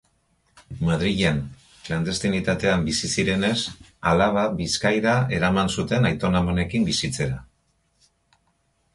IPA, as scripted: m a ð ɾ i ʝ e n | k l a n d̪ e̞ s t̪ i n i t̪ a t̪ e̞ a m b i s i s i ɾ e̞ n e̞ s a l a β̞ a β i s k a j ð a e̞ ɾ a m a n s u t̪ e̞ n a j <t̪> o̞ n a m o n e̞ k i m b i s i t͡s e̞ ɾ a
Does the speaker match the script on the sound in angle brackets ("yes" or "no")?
yes